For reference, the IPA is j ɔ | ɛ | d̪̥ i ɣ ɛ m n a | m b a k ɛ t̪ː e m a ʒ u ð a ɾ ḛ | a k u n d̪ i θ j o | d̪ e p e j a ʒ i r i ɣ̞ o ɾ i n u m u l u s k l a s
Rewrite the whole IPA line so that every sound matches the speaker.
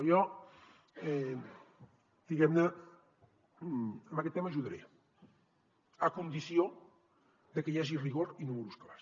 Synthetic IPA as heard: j ɔ | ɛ | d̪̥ i ɣ ɛ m n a | m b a k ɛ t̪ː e m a ʒ u ð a ɾ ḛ | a k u n d̪ i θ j o | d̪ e k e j a ʒ i r i ɣ̞ o ɾ i n u m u ɾ u s k l a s